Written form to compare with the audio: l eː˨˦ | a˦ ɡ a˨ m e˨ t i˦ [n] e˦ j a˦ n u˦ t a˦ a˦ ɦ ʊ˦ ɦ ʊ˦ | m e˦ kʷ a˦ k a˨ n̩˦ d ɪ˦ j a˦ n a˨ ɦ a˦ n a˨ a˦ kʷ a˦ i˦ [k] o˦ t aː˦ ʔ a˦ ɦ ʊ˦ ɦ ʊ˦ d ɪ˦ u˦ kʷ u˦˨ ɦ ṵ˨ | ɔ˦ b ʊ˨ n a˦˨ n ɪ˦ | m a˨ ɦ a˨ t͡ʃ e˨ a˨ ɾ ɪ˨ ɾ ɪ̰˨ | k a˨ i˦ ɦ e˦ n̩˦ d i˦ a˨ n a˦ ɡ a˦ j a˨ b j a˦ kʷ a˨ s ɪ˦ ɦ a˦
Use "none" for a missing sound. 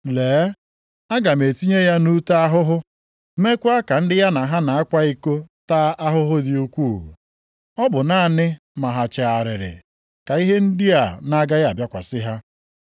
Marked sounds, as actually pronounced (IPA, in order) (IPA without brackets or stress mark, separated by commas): ɲ, k